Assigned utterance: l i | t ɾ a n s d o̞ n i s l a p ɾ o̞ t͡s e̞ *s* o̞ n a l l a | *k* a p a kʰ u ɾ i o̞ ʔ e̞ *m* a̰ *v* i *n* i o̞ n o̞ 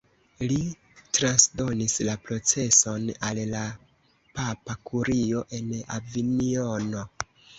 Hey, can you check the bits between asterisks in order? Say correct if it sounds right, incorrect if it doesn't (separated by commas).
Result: correct, incorrect, incorrect, correct, correct